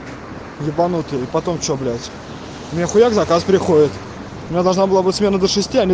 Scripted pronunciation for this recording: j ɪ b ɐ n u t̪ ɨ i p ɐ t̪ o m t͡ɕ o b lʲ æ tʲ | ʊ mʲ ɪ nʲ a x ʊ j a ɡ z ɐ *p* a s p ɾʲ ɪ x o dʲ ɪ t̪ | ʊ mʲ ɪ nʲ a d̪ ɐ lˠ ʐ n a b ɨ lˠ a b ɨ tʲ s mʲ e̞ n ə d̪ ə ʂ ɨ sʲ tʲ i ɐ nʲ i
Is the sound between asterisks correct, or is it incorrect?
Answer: incorrect